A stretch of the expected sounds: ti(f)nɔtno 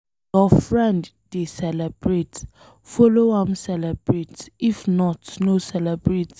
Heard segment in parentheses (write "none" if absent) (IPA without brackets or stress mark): f